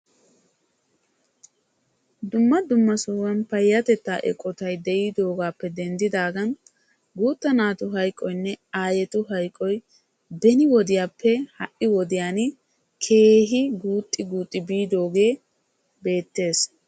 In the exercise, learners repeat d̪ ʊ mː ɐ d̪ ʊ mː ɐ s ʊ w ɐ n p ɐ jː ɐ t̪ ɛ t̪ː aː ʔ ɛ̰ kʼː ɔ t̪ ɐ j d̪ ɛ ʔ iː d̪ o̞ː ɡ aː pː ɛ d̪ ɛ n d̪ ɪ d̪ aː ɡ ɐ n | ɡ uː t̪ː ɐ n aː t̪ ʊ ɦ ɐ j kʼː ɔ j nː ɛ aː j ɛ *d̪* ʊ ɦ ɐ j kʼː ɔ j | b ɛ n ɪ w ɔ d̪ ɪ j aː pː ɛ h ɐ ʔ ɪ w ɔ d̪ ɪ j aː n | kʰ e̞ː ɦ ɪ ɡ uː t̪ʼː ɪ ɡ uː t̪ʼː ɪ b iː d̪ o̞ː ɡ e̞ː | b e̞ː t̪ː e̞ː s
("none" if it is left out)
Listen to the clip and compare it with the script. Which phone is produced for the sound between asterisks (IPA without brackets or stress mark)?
t̪